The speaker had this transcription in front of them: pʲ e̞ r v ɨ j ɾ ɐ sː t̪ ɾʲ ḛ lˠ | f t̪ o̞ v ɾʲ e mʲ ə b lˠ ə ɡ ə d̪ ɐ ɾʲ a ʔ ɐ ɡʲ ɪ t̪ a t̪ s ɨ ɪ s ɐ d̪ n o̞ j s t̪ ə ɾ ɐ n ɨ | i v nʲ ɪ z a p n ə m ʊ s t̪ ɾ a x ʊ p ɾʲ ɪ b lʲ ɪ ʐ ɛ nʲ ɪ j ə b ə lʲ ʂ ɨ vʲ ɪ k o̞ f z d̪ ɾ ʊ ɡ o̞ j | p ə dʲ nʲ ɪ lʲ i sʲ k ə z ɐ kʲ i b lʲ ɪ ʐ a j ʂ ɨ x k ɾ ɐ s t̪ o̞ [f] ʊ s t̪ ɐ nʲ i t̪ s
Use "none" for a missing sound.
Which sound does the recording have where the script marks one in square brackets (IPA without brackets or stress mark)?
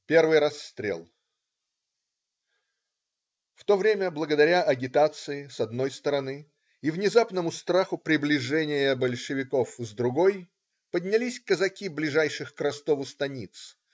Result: v